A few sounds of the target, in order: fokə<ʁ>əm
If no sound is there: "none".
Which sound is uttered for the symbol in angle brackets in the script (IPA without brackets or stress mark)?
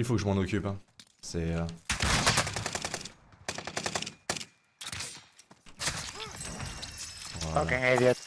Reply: ʒ